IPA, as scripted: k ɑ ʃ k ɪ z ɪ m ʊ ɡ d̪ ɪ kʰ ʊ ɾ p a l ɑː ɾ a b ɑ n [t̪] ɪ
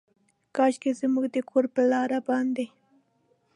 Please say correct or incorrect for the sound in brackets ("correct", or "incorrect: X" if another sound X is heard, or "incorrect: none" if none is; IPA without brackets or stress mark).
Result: incorrect: d̪